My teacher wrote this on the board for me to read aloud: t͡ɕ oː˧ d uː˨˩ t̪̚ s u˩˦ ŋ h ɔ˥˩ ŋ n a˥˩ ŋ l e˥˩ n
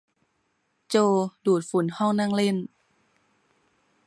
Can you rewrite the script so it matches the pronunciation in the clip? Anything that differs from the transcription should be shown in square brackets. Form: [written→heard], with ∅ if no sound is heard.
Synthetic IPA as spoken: t͡ɕ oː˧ d uː˨˩ t̪̚ [s→f] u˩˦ [ŋ→n] h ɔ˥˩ ŋ n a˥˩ ŋ l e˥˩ n